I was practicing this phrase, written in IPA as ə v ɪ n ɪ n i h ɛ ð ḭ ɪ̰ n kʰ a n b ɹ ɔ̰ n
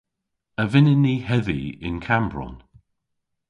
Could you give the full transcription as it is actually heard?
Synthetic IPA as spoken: ə v ɪ n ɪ n i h ɛ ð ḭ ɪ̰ n kʰ a m b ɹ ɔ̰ n